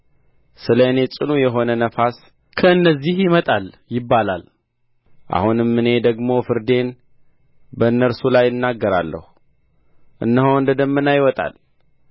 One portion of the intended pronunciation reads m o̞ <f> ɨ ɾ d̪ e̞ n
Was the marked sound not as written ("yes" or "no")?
no